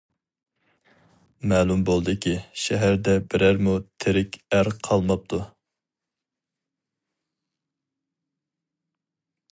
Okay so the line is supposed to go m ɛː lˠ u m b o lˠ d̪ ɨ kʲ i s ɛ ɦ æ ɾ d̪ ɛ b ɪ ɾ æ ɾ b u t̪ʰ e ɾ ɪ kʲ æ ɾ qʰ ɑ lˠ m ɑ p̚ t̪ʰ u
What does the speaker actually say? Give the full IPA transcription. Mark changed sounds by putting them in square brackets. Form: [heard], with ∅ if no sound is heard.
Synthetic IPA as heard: m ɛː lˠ u m b o lˠ d̪ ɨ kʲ i [ʃ] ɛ ɦ æ ɾ d̪ ɛ b ɪ ɾ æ ɾ [m] u t̪ʰ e ɾ ɪ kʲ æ ɾ qʰ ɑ lˠ m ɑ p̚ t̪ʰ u